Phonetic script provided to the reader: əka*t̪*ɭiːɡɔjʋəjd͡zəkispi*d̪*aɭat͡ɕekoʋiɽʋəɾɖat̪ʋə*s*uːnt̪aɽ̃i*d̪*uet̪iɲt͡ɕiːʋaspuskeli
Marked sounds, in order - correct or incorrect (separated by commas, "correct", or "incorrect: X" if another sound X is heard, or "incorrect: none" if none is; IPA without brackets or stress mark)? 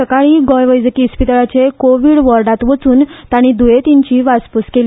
incorrect: none, incorrect: t̪, incorrect: t͡s, correct